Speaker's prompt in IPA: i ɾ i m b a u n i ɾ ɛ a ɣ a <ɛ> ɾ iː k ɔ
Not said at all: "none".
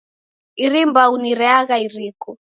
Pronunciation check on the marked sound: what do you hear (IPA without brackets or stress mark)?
i